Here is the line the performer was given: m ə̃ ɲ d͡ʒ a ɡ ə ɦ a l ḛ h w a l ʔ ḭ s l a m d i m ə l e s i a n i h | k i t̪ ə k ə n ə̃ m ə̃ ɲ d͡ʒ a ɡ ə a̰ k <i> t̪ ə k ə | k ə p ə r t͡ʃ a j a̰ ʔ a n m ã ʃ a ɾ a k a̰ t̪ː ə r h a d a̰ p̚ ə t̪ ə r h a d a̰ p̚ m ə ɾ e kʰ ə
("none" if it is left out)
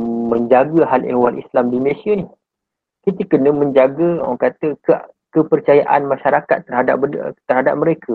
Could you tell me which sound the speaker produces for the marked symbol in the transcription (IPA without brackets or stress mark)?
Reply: a